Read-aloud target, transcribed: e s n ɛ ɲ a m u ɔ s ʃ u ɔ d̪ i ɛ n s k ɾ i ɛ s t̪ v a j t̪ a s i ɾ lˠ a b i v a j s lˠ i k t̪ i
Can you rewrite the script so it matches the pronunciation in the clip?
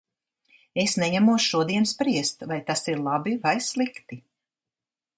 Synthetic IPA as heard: e s n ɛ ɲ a m u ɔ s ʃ u ɔ d̪ i ɛ n s p ɾ i ɛ s t̪ v a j t̪ a s i ɾ lˠ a b i v a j s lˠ i k t̪ i